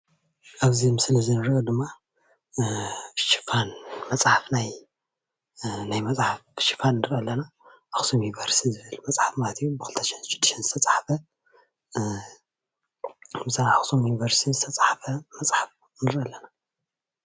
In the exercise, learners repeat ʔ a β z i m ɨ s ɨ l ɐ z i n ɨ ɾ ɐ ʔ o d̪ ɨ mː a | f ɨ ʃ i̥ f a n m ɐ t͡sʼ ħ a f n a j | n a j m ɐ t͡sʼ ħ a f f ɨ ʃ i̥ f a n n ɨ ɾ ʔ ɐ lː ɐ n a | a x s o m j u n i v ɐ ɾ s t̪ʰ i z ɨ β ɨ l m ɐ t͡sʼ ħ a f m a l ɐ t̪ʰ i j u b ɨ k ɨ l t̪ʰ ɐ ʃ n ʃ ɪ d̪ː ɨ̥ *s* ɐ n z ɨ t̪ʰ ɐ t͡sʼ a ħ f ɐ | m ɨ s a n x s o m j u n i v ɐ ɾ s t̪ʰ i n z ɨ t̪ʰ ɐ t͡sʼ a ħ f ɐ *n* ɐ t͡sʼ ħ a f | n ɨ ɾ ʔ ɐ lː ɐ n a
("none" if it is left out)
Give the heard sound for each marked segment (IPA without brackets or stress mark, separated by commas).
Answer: ʃ, m